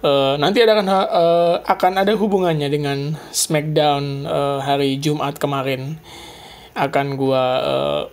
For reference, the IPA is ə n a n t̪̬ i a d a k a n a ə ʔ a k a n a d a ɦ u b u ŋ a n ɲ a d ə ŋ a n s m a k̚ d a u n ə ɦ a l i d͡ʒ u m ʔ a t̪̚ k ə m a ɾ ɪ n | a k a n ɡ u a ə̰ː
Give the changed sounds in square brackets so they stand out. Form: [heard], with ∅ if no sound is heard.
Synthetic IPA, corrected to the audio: ə n a n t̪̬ i a d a k a n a ə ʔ a k a n a d a ɦ u b u ŋ a n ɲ a d ə ŋ a n s m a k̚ d a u n ə ɦ a [ɾ] i d͡ʒ u m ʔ a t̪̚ k ə m a ɾ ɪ n | a k a n ɡ u a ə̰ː